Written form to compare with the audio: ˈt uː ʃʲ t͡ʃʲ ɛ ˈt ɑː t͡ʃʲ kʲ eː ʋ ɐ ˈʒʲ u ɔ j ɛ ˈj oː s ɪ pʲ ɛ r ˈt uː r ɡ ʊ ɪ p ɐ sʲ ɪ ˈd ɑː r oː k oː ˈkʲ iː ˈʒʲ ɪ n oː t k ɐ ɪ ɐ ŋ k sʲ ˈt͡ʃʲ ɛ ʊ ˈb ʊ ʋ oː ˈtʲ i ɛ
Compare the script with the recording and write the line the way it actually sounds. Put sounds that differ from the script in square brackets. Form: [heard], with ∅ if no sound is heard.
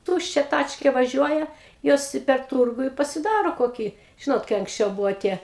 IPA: ˈt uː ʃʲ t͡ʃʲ ɛ ˈt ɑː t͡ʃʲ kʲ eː ʋ ɐ ˈʒʲ u ɔ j ɛ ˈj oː s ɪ pʲ ɛ r ˈt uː r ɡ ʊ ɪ p ɐ sʲ ɪ ˈd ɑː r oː k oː ˈkʲ iː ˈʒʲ ɪ n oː t k ɐ ɪ ɐ ŋ k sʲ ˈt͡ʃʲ ɛ ʊ ˈb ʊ ʋ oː ˈtʲ i ɛ